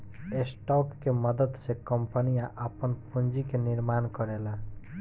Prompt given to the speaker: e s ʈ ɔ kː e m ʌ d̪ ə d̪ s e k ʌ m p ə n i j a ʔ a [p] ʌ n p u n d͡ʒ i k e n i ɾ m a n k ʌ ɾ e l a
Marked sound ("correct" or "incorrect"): correct